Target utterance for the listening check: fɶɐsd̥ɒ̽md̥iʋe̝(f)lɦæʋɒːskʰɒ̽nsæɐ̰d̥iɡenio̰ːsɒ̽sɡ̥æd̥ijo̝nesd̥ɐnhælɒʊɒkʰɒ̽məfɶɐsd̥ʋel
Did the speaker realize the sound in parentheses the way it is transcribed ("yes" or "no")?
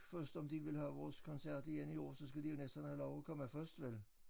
no